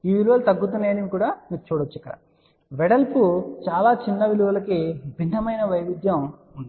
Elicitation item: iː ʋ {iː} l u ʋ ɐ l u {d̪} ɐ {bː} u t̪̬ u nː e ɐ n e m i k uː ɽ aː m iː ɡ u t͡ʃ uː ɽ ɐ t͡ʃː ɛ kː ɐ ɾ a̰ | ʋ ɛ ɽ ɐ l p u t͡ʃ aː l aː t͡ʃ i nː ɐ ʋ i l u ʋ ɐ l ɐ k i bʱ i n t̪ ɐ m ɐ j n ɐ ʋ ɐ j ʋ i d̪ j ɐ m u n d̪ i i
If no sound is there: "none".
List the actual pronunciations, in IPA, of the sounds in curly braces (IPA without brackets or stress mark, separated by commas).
i, t̪, ɡː